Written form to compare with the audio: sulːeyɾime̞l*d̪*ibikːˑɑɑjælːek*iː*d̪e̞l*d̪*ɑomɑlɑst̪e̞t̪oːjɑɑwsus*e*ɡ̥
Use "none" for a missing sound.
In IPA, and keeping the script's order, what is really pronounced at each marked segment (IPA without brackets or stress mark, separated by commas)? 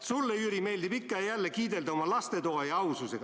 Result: d̪, iː, d̪, e